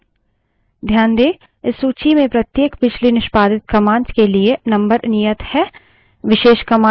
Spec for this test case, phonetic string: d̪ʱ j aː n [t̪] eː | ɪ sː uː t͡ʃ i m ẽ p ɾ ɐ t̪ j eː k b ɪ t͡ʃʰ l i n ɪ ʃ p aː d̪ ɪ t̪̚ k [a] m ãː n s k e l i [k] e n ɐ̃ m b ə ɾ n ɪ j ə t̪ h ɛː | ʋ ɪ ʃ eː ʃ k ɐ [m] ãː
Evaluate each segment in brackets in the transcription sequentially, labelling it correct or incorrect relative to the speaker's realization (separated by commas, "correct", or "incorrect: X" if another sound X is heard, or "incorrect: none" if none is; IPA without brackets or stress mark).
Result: incorrect: d̪, incorrect: ɐ, incorrect: none, correct